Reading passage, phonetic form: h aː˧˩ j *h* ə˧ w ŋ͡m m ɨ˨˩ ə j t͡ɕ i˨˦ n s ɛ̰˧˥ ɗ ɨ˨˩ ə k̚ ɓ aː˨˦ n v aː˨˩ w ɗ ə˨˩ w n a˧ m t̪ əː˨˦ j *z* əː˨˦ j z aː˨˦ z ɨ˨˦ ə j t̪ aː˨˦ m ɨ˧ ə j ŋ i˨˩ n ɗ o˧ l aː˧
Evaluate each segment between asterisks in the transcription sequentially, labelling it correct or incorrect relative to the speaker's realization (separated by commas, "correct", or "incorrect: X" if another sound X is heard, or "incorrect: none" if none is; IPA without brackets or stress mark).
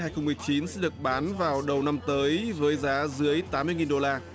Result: incorrect: x, incorrect: v